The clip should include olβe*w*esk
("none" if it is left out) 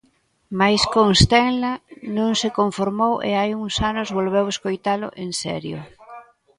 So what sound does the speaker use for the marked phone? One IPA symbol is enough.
w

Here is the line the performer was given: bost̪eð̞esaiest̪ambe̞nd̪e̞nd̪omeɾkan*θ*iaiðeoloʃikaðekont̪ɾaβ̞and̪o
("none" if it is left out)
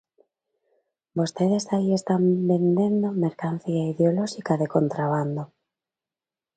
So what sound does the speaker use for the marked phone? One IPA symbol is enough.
θ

